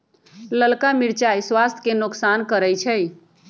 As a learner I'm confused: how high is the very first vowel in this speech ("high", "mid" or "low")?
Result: mid